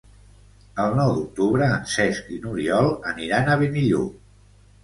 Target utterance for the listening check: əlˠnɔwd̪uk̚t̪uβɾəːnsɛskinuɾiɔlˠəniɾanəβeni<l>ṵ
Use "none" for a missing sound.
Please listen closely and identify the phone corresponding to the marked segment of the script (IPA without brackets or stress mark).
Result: ʎ